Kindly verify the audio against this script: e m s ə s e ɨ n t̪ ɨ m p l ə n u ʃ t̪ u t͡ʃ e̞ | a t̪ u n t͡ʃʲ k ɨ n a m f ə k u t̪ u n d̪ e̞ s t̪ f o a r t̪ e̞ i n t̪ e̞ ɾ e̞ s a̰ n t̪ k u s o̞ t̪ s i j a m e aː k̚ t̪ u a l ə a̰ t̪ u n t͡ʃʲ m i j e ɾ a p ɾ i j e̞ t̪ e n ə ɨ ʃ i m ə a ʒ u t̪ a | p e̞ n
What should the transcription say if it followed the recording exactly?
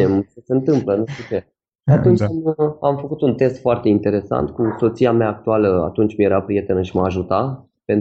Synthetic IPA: e m s ə s e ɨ n t̪ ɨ m p l ə n u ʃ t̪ u t͡ʃ e̞ | a t̪ u n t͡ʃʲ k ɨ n a m f ə k u t̪ u n t̪ e̞ s t̪ f o a r t̪ e̞ i n t̪ e̞ ɾ e̞ s a̰ n t̪ k u s o̞ t̪ s i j a m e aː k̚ t̪ u a l ə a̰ t̪ u n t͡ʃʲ m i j e ɾ a p ɾ i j e̞ t̪ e n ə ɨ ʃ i m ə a ʒ u t̪ a | p e̞ n